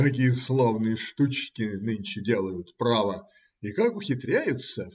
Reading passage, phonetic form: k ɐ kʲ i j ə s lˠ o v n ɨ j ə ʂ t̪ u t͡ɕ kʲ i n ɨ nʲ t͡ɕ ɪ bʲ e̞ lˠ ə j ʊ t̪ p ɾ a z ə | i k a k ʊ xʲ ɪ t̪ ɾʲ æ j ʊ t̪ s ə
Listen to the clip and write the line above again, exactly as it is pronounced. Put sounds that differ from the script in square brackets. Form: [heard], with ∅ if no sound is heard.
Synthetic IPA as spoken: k ɐ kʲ i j ə s lˠ o v n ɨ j ə ʂ t̪ u t͡ɕ kʲ [ɪ] n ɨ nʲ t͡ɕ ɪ [dʲ] e̞ lˠ ə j ʊ t̪ p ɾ a [v] ə | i k a k ʊ xʲ ɪ t̪ ɾʲ æ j ʊ t̪ s ə